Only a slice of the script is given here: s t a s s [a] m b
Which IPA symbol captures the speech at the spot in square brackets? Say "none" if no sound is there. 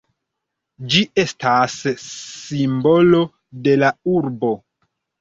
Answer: i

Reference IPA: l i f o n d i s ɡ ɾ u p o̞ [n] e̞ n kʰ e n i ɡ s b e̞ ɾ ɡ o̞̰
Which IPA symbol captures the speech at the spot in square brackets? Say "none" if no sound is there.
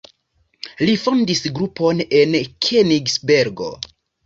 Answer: n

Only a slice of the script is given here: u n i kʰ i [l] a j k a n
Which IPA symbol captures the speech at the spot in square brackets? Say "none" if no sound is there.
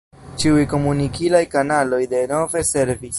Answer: l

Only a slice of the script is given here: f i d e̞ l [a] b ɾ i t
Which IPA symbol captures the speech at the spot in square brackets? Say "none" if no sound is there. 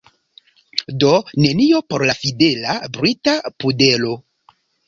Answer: a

